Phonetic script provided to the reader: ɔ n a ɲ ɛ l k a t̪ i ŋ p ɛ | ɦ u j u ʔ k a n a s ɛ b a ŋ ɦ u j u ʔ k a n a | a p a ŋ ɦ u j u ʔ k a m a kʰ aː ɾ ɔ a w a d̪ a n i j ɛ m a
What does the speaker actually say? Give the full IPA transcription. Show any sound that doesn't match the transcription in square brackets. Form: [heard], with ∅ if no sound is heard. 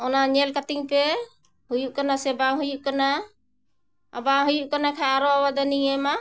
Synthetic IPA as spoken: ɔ n a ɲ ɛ l k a t̪ i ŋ p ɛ | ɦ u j u ʔ k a n a s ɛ b a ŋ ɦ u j u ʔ k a n a | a [b] a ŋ ɦ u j u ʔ k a [n] a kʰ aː ɾ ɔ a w a d̪ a n i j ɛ m a

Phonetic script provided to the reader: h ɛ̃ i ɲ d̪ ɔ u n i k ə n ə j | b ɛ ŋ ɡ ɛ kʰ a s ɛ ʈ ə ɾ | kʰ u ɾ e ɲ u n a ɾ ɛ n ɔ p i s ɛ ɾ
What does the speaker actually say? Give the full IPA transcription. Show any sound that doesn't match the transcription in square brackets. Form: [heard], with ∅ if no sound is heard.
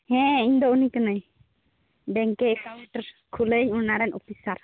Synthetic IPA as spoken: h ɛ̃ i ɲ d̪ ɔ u n i k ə n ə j | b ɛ ŋ [k] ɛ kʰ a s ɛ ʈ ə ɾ | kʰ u [l] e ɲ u n a ɾ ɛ n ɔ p i s [a] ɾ

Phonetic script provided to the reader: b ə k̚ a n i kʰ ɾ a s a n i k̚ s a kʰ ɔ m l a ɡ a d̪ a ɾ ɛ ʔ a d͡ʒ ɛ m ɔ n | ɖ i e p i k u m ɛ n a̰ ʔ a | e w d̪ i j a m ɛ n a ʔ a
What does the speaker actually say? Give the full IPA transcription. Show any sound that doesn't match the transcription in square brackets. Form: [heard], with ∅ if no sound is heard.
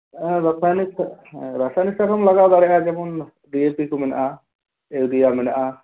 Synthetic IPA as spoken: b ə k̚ a n i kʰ ɾ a s a n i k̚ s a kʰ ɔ m l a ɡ a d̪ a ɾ ɛ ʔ a d͡ʒ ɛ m ɔ n | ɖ i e p i k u m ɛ n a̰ ʔ a | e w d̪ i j a m ɛ n a ʔ a

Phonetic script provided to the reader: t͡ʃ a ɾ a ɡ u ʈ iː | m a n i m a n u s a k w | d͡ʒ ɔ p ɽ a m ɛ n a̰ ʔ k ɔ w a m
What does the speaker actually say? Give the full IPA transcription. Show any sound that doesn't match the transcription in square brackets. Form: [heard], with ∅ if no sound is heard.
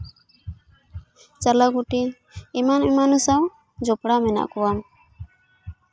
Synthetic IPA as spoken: t͡ʃ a [l] a ɡ u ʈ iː | m a n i m a n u s a [∅] w | d͡ʒ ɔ p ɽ a m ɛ n a̰ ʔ k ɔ w a m

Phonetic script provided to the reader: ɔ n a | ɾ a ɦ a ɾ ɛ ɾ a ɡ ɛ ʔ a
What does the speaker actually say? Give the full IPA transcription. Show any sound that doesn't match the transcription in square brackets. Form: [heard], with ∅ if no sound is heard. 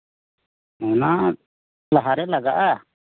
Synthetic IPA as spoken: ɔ n a | [l] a ɦ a ɾ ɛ [l] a ɡ [a] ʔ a

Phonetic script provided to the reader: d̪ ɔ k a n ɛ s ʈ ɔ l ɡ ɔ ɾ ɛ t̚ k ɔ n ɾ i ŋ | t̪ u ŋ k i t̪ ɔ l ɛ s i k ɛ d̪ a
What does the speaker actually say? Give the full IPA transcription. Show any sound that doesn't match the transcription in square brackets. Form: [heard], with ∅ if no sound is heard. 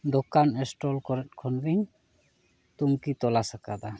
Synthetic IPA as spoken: d̪ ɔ k a n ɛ s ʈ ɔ l [k] ɔ ɾ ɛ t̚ [kʰ] ɔ n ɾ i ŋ | t̪ u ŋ k i t̪ ɔ l [a] s [a] k [a] d̪ a

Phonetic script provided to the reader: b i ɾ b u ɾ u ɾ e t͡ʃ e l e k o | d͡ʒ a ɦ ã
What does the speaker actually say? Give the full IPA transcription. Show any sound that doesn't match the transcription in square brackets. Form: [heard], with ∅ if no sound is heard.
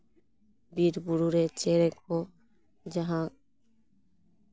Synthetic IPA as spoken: b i ɾ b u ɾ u ɾ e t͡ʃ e [ɾ] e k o | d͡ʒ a ɦ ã

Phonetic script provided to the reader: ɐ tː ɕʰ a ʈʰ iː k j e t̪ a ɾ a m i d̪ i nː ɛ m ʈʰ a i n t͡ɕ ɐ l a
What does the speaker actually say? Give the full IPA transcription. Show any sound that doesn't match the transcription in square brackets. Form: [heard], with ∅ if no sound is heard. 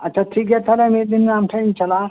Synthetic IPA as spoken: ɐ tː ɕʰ a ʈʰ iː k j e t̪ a [l] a m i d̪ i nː [a] m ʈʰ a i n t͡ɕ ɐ l a

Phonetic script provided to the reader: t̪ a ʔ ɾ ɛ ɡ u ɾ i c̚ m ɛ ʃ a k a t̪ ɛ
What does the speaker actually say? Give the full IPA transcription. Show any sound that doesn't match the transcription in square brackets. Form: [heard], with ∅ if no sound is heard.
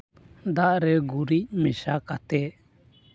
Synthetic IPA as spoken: [d̪] a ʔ ɾ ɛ ɡ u ɾ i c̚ m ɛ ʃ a k a t̪ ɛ

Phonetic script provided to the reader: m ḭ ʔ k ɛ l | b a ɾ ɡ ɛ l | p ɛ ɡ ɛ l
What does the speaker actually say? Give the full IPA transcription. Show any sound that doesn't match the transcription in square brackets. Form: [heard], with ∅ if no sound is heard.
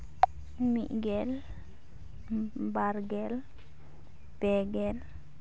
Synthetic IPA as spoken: m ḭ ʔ [ɡ] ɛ l | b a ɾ ɡ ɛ l | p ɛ ɡ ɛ l

